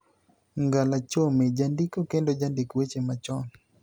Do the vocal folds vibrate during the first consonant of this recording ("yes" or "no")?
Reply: yes